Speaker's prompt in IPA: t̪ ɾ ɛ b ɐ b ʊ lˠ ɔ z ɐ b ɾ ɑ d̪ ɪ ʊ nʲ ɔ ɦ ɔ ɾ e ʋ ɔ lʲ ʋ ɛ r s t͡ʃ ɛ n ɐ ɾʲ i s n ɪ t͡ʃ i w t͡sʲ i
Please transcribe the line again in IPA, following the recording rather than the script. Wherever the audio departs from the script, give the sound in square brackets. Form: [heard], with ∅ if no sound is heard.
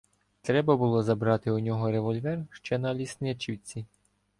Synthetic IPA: t̪ ɾ ɛ b ɐ b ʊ lˠ ɔ z ɐ b ɾ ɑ [t̪] ɪ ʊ nʲ ɔ ɦ ɔ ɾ e ʋ ɔ lʲ ʋ ɛ r [ʃ] t͡ʃ ɛ n ɐ [lʲ] i s n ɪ t͡ʃ i w t͡sʲ i